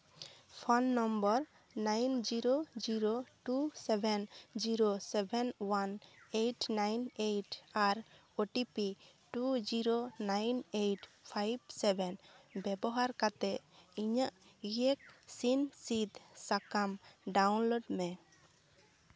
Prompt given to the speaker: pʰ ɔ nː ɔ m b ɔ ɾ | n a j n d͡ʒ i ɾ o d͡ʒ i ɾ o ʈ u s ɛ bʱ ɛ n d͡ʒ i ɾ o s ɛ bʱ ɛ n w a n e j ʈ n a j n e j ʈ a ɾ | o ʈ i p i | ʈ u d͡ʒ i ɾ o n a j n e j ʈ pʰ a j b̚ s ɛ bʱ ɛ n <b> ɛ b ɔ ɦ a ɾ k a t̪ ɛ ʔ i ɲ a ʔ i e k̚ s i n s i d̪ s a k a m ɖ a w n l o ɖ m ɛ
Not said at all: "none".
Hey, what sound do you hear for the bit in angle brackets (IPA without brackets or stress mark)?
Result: b